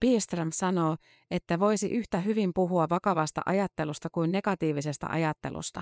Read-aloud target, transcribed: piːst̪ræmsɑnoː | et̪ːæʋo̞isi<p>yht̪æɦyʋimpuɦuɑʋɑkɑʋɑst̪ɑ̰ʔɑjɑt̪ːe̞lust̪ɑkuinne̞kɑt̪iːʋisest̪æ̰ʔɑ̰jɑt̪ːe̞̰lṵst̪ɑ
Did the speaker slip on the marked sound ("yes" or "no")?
yes